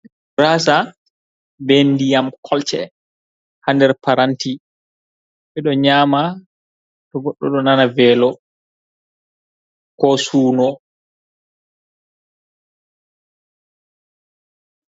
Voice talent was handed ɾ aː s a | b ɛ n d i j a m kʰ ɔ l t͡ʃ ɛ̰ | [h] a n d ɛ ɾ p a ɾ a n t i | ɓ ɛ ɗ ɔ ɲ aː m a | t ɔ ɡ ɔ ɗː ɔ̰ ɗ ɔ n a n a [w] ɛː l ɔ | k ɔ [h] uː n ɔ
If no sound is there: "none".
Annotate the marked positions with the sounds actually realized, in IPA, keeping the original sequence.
h, v, s

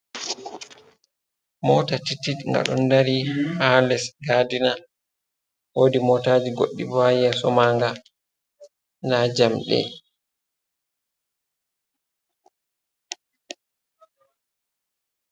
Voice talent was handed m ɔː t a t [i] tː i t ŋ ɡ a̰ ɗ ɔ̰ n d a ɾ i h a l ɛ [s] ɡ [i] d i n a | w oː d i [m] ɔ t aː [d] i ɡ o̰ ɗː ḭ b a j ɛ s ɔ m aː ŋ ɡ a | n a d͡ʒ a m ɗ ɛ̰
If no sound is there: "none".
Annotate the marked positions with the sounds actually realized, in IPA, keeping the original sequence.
i, s, a, m, d͡ʒ

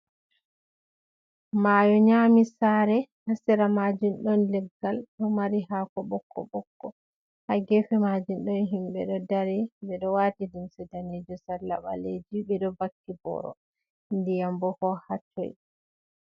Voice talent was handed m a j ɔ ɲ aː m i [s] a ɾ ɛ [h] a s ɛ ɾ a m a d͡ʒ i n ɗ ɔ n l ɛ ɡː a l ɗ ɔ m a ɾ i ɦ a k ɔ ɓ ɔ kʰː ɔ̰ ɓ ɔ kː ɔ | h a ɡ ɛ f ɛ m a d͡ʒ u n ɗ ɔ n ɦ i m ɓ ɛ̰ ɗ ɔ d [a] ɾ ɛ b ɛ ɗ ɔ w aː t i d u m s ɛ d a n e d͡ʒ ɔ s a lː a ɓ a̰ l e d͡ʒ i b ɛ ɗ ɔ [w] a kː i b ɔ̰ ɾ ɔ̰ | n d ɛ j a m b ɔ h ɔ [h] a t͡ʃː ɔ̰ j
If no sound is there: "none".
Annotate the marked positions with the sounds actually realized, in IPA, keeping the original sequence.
s, h, a, b, h

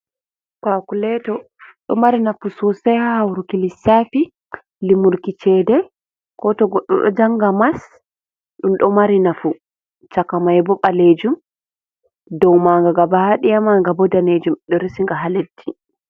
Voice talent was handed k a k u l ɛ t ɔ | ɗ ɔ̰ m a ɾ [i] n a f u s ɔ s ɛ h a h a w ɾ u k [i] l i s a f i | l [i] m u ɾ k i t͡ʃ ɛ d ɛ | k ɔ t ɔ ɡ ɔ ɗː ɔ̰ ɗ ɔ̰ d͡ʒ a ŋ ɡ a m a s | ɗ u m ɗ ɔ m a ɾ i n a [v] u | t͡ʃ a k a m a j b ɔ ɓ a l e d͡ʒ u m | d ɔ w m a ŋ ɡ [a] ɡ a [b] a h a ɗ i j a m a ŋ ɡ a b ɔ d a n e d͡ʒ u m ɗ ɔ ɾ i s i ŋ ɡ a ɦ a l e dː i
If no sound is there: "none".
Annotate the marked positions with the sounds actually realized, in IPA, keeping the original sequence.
i, i, i, f, a, b

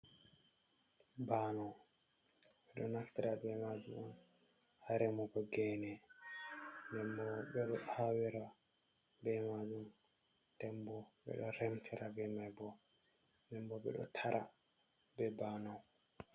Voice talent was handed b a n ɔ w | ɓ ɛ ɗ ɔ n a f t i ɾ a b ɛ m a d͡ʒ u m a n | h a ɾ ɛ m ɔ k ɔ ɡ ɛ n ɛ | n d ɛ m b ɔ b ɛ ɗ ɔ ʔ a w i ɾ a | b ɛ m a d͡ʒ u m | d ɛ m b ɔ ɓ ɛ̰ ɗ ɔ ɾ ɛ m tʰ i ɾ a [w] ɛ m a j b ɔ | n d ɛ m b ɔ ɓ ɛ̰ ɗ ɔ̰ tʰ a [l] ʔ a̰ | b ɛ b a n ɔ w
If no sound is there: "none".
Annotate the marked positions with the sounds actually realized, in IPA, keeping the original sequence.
b, ɾ

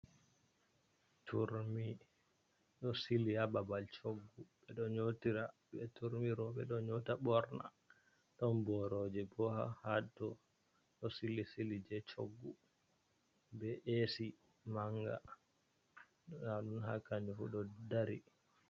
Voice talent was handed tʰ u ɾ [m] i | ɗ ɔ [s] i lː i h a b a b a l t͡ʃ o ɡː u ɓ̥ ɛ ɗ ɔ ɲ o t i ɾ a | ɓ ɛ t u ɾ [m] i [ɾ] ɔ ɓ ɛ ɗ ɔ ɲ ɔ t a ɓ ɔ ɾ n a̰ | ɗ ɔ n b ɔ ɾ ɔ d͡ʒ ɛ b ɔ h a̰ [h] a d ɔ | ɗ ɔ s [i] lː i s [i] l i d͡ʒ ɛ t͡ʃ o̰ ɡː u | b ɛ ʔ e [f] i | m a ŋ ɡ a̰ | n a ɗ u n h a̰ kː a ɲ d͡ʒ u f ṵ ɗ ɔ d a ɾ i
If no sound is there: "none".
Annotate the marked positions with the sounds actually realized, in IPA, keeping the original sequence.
m, s, m, ɾ, h, i, i, s

